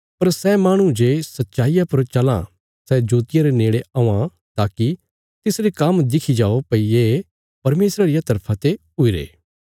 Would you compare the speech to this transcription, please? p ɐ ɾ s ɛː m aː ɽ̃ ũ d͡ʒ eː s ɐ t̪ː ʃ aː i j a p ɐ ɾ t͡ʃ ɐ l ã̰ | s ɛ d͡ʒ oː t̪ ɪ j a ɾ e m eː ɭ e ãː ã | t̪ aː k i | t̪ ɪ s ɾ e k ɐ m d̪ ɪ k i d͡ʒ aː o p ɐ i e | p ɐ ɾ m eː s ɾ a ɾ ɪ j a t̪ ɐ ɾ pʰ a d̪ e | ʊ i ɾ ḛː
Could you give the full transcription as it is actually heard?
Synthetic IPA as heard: p ɐ ɾ s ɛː m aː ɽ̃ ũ d͡ʒ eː s ɐ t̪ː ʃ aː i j a p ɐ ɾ t͡ʃ ɐ l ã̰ | s ɛ d͡ʒ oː t̪ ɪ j a ɾ e n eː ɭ e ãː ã | t̪ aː k i | t̪ ɪ s ɾ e k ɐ m d̪ ɪ kʰ i d͡ʒ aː o p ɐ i e | p ɐ ɾ m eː s ɾ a ɾ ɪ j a t̪ ɐ ɾ pʰ a t̪ e | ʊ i ɾ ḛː